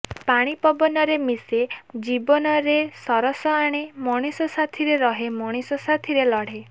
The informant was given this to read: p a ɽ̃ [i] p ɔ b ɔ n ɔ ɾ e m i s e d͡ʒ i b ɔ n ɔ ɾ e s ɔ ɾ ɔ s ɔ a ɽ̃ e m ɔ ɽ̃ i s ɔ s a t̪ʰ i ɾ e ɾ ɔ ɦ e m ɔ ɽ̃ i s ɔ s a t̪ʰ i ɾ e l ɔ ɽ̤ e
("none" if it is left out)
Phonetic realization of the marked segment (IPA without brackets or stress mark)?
i